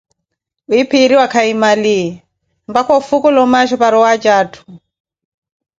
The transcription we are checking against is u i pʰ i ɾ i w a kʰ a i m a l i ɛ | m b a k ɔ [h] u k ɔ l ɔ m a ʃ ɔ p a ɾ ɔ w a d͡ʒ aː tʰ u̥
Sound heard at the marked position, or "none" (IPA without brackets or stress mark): f